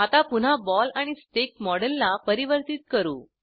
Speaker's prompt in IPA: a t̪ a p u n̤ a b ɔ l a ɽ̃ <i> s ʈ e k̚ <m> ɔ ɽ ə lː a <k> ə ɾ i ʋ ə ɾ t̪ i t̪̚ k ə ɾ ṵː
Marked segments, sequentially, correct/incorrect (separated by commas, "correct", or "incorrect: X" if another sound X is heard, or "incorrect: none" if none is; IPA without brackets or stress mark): correct, correct, incorrect: p